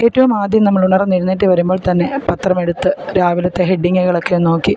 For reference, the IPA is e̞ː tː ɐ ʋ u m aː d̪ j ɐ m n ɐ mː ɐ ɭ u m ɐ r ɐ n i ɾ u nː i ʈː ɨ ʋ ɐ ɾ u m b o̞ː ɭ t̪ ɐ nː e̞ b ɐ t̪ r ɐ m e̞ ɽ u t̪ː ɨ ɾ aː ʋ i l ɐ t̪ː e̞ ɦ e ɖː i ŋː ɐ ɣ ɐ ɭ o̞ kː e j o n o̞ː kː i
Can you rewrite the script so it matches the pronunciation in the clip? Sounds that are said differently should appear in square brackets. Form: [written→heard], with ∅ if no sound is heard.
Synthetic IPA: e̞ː tː ɐ ʋ u m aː d̪ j ɐ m n ɐ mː ɐ ɭ u [m→ɳ] ɐ r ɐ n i ɾ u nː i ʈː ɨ ʋ ɐ ɾ u m b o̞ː ɭ t̪ ɐ nː e̞ [b→p] ɐ t̪ r ɐ m e̞ ɽ u t̪ː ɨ ɾ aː ʋ i l ɐ t̪ː e̞ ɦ e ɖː i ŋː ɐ ɣ ɐ ɭ o̞ kː e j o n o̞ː kː i